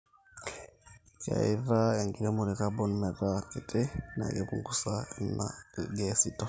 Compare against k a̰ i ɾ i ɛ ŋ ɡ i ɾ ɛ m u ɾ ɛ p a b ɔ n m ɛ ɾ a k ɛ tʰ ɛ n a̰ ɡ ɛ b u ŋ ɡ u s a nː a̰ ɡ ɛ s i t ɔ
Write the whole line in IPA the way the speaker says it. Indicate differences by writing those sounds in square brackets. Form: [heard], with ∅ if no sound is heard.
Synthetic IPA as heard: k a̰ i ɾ [a] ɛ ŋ ɡ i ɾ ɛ m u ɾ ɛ [k] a b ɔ n m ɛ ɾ a k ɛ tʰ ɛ n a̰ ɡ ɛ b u ŋ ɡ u s a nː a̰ ɡ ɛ s i t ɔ